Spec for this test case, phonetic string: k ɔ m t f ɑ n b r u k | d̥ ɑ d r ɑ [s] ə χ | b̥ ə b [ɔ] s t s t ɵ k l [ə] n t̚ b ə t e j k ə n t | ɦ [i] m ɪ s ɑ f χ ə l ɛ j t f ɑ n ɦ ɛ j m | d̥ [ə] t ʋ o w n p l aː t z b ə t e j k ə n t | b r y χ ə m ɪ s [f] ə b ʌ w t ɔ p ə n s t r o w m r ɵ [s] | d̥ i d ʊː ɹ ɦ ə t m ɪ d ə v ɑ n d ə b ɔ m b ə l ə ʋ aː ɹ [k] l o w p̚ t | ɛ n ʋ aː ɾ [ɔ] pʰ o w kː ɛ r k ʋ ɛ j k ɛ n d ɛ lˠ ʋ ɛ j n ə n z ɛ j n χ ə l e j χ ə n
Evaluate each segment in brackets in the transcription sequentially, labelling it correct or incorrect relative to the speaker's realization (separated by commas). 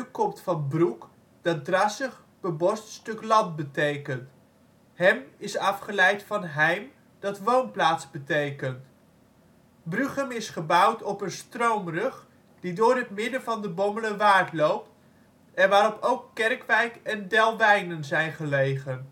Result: correct, correct, incorrect, incorrect, incorrect, incorrect, incorrect, incorrect, correct